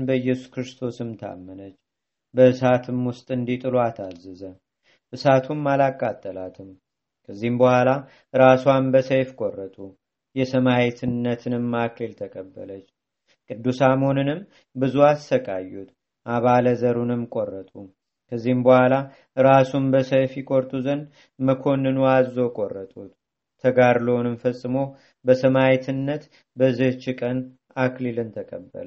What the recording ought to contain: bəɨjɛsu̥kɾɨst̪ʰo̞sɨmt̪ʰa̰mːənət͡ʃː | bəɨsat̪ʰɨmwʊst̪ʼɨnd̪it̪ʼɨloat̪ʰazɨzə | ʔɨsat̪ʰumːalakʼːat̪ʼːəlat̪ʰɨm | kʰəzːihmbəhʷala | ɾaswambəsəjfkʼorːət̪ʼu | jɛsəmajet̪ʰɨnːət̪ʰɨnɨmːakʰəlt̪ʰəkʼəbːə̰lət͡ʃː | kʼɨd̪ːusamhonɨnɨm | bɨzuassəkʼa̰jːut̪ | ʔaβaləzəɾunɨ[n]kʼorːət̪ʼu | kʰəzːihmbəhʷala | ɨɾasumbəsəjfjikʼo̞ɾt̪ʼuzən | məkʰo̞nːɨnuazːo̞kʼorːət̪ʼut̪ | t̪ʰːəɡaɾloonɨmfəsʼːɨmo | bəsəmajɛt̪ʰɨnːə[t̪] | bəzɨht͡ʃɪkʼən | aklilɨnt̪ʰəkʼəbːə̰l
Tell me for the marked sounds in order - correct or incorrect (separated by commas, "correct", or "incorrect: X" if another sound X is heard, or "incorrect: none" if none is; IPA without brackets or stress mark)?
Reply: incorrect: m, correct